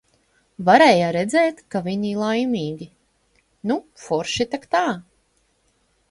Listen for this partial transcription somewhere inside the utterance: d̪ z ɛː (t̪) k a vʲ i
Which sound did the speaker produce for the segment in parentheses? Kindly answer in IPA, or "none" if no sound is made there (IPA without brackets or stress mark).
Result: t̪